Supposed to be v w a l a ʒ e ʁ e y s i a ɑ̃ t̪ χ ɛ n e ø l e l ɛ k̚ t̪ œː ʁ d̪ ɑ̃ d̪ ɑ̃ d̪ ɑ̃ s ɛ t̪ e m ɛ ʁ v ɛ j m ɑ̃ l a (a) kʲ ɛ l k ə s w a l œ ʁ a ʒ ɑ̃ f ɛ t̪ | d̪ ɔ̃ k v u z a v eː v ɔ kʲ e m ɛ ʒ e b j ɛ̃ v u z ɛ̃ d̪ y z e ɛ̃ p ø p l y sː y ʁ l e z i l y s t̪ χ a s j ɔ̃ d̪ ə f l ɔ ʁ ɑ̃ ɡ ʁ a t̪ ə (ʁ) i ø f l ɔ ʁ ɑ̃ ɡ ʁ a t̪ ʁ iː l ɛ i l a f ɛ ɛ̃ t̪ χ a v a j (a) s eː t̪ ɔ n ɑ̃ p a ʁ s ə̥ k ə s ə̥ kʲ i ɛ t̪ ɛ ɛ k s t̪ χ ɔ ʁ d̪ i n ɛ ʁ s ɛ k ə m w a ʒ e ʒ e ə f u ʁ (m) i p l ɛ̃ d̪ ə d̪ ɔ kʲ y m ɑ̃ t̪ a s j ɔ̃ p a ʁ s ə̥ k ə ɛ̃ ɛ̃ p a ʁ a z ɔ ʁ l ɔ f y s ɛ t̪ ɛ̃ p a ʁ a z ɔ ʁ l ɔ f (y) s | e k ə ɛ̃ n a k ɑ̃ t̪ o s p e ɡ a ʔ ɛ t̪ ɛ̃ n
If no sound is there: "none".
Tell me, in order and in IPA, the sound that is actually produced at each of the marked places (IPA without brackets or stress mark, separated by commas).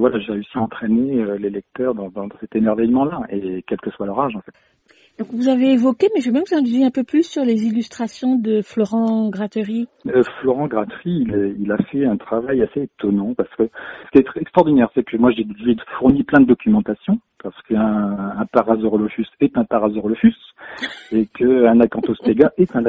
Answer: e, ʁ, a, n, y